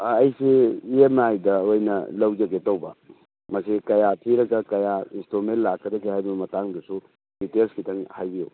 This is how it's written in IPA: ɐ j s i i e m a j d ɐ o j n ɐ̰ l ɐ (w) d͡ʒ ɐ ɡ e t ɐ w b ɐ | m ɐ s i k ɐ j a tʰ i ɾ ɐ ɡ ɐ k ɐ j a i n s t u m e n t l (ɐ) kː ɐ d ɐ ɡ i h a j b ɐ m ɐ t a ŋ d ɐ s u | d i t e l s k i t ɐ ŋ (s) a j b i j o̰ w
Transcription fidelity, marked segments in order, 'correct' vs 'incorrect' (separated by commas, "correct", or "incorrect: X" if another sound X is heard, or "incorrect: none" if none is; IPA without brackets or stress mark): correct, incorrect: a, incorrect: h